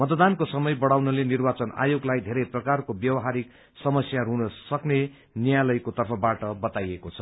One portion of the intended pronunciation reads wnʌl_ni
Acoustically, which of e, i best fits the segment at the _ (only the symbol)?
e